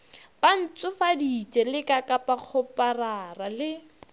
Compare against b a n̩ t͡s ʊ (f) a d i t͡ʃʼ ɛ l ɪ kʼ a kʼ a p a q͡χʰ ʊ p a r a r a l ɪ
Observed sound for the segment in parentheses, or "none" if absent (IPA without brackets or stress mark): f